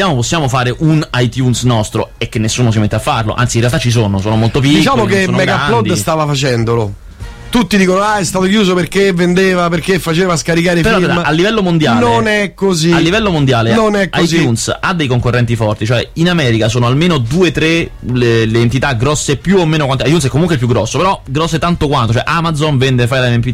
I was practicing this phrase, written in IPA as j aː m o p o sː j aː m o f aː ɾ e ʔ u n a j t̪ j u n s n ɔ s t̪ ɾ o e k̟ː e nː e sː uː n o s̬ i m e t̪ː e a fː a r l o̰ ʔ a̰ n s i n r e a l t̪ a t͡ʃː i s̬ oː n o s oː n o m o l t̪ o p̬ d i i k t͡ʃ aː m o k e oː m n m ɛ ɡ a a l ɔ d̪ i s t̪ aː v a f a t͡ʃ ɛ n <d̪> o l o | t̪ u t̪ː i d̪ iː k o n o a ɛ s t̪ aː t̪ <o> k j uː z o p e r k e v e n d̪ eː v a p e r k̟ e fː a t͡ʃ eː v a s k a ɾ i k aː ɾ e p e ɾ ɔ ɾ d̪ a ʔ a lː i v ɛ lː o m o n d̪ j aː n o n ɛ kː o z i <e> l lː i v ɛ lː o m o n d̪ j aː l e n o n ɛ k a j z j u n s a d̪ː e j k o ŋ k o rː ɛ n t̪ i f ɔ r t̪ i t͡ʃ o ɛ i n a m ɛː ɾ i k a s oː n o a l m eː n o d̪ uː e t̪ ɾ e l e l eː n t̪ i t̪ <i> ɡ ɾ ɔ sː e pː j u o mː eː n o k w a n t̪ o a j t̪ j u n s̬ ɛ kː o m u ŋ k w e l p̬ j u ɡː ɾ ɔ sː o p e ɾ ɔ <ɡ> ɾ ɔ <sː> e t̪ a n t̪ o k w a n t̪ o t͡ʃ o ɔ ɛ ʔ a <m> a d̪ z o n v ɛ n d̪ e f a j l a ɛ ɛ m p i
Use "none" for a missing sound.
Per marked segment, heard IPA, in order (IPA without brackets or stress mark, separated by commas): d̪, o, a, a, ɡ, sː, m